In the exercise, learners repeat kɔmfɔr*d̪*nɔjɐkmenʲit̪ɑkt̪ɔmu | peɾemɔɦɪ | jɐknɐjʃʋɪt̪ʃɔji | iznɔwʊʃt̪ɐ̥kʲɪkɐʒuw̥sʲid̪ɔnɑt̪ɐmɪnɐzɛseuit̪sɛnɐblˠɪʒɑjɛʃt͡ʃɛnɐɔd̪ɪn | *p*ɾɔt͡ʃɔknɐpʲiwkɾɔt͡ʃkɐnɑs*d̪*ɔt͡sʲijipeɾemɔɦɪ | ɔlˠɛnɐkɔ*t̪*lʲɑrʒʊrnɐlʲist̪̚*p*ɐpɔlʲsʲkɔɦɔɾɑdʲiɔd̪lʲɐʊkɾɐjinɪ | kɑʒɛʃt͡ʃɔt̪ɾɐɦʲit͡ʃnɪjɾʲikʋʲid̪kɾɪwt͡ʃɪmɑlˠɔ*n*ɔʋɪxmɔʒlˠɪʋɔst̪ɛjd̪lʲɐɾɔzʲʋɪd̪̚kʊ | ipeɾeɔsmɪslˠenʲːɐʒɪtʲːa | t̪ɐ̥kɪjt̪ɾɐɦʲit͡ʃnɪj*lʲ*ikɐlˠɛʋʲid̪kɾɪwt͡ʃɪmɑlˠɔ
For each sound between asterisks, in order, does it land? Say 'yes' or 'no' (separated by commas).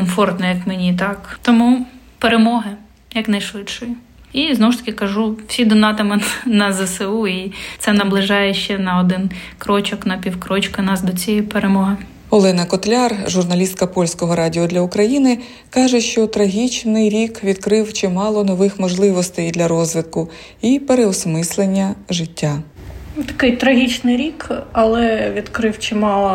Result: no, no, yes, yes, no, yes, no